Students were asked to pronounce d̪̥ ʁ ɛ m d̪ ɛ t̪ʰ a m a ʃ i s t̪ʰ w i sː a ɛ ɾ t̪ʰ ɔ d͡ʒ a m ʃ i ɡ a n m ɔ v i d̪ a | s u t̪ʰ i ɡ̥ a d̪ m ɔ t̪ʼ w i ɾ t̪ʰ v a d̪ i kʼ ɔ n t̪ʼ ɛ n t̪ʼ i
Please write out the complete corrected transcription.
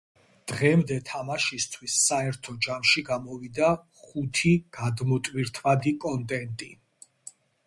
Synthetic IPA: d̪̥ ʁ ɛ m d̪ ɛ t̪ʰ a m a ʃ i s t̪ʰ w i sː a ɛ ɾ t̪ʰ ɔ d͡ʒ a m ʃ i ɡ a m ɔ v i d̪ a | χ u t̪ʰ i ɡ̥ a d̪ m ɔ t̪ʼ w i ɾ t̪ʰ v a d̪ i kʼ ɔ n t̪ʼ ɛ n t̪ʼ i